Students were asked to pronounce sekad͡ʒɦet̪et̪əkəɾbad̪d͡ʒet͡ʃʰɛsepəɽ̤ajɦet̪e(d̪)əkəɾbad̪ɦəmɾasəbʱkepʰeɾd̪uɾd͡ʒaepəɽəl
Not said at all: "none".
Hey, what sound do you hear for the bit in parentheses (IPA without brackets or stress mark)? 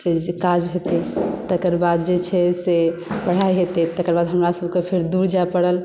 t̪